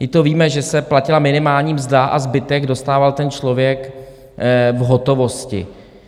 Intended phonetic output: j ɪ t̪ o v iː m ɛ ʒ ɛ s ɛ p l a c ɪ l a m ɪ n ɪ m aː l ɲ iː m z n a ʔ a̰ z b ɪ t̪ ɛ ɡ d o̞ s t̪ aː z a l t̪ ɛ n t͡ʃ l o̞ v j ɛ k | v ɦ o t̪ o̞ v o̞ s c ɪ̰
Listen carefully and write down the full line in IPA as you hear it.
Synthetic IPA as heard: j ɪ t̪ o v iː m ɛ ʒ ɛ s ɛ p l a c ɪ l a m ɪ n ɪ m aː l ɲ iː m z d a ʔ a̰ z b ɪ t̪ ɛ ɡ d o̞ s t̪ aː v a l t̪ ɛ n t͡ʃ l o̞ v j ɛ k | v ɦ o t̪ o̞ v o̞ s c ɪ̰